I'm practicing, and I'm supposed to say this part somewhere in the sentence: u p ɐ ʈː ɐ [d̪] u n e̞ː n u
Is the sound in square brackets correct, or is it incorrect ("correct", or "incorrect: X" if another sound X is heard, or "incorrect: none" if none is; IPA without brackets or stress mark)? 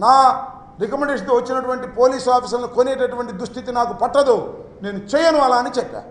correct